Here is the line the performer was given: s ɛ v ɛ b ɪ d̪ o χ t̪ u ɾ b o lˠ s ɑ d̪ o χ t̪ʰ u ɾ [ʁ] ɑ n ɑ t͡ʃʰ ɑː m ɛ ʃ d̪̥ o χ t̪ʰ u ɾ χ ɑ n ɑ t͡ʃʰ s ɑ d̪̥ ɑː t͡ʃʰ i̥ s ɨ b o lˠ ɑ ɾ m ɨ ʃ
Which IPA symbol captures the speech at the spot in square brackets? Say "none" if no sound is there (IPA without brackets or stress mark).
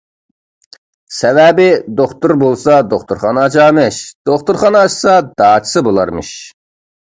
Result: χ